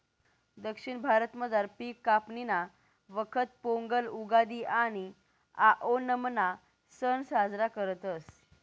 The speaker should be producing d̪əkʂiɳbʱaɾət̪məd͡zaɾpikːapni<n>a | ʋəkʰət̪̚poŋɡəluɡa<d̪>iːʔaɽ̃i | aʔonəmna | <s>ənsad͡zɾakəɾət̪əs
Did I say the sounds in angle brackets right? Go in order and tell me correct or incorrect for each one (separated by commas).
correct, correct, correct